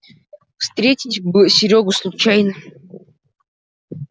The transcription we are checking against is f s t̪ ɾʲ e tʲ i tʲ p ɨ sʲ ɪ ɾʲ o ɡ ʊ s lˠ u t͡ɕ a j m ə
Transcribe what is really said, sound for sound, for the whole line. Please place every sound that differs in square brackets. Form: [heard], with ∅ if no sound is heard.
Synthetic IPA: f s t̪ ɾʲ e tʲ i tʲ [b] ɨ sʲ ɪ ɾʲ o ɡ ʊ s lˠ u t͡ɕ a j [n] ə